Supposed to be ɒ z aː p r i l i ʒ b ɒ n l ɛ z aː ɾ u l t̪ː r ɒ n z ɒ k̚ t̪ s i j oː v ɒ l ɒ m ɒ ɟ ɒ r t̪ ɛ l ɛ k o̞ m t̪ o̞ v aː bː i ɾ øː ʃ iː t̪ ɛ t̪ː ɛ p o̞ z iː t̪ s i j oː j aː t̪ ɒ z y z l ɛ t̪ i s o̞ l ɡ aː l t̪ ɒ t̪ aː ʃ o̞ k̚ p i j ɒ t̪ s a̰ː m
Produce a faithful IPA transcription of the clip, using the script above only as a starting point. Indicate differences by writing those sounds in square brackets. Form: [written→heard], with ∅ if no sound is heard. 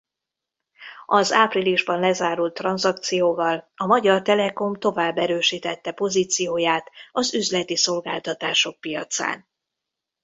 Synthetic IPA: ɒ z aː p r i l i ʒ b ɒ n l ɛ z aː ɾ u l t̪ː r ɒ n z ɒ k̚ t̪ s i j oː v ɒ l ɒ m ɒ ɟ ɒ r t̪ ɛ l ɛ k o̞ m t̪ o̞ v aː bː [i→ɛ] ɾ øː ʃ iː t̪ ɛ t̪ː ɛ p o̞ z iː t̪ s i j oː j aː t̪ ɒ z y z l ɛ t̪ i s o̞ l ɡ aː l t̪ ɒ t̪ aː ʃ o̞ k̚ p i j ɒ t̪ s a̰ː [m→n]